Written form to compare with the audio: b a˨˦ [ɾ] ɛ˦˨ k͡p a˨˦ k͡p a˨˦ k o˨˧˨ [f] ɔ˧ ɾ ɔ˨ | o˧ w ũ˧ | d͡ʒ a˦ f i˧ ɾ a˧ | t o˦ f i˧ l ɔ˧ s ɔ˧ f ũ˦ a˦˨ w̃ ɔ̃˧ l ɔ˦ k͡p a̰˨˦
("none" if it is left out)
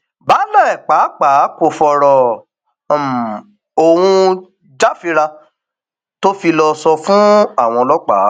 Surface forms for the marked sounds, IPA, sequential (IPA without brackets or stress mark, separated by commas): l, f